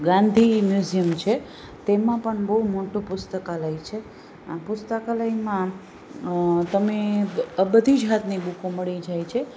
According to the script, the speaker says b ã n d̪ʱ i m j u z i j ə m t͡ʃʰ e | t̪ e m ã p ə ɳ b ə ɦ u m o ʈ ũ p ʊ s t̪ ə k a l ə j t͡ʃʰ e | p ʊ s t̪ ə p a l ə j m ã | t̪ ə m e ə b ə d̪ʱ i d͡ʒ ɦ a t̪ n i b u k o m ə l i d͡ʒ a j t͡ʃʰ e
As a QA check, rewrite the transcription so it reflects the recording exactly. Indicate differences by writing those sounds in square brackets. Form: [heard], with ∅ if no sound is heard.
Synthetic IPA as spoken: [ɡ] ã n d̪ʱ i m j u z i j ə m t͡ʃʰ e | t̪ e m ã p ə ɳ b ə ɦ u m o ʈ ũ p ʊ s t̪ ə k a l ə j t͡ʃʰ e | p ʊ s t̪ ə [k] a l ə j m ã | t̪ ə m e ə b ə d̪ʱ i d͡ʒ ɦ a t̪ n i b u k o m ə [ɭ] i d͡ʒ a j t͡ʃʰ e